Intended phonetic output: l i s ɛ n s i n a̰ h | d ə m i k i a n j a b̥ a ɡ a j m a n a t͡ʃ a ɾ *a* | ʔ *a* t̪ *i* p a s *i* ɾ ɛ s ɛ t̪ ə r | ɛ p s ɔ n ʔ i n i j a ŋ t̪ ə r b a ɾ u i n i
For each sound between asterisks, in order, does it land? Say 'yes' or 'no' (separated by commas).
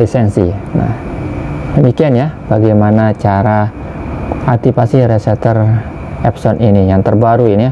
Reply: yes, yes, yes, yes